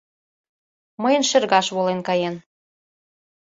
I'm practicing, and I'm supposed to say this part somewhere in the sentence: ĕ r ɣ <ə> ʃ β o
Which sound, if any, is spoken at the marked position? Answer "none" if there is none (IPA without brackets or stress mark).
ɑ